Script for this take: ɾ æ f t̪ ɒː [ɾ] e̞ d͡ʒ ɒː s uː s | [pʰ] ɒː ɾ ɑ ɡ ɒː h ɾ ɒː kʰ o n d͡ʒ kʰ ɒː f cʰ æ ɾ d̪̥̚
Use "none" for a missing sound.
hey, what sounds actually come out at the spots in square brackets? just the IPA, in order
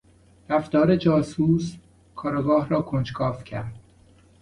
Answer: ɾ, kʰ

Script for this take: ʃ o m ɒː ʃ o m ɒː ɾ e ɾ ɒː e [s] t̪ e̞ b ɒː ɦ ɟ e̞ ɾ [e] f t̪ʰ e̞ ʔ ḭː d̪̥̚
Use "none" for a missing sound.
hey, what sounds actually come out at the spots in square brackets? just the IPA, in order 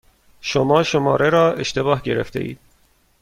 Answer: ʃ, e

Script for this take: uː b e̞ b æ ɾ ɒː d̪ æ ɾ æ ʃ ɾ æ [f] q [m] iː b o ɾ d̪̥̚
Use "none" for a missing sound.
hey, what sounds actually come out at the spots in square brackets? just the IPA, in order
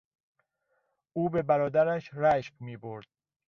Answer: ʃ, m

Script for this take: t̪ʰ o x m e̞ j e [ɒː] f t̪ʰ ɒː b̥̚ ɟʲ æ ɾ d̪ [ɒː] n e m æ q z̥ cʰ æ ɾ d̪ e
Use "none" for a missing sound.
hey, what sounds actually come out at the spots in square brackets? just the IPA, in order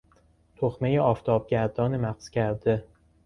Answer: ɒː, ɒː

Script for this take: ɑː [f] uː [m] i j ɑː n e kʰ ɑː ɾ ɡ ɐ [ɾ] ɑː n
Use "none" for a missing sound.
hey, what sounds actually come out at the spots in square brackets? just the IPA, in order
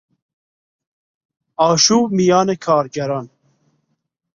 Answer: ʃ, m, ɾ

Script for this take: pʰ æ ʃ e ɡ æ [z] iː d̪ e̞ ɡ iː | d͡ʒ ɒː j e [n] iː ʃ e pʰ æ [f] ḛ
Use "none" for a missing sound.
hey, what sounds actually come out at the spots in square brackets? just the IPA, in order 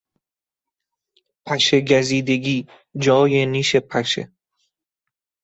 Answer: z, n, ʃ

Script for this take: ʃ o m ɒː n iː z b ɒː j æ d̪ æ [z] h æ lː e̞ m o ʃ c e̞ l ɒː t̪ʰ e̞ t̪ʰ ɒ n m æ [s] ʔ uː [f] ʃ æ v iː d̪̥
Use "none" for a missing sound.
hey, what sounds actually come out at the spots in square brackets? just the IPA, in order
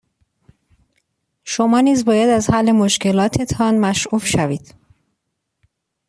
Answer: z, ʃ, f

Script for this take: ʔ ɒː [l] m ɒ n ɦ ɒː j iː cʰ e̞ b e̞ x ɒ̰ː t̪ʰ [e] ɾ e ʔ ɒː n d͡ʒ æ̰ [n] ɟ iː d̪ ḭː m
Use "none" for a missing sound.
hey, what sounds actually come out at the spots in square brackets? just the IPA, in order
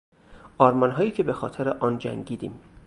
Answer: ɾ, e, ŋ

